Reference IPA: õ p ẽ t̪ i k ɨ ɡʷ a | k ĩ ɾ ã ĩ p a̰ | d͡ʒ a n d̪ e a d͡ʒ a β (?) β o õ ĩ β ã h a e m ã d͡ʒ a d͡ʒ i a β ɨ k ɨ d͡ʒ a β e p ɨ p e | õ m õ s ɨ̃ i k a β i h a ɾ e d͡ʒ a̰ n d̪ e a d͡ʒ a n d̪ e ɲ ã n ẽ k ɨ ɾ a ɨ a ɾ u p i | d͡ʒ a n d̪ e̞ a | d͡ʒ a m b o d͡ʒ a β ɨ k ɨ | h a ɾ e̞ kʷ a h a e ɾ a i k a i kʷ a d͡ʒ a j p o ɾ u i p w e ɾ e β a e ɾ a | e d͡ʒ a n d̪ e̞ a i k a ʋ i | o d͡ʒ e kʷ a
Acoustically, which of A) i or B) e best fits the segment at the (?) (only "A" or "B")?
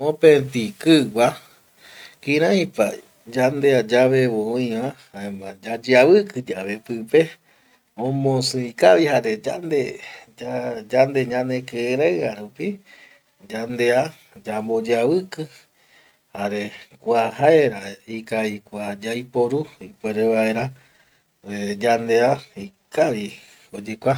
B